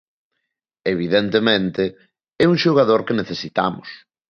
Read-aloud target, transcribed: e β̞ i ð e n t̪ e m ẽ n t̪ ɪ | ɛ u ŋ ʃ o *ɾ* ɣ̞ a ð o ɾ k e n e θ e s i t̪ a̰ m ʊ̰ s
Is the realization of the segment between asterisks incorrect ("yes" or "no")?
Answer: yes